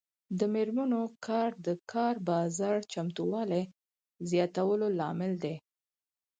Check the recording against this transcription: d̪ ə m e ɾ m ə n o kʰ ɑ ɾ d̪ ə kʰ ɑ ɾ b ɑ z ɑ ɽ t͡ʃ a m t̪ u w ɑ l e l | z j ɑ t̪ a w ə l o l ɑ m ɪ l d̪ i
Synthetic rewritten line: d̪ ə m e ɾ m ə n o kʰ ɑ ɾ d̪ ə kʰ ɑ ɾ b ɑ z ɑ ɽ t͡ʃ a m t̪ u w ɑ l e | z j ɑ t̪ a w ə l o l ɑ m ɪ l d̪ e